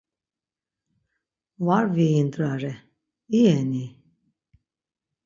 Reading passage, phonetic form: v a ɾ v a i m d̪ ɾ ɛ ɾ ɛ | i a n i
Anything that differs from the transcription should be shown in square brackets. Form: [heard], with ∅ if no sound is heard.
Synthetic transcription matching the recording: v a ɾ v [i] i [n] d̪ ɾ [a] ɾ ɛ | i [ɛ] n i